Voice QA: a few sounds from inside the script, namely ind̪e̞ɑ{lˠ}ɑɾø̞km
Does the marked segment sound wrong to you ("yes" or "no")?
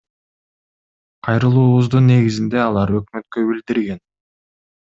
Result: no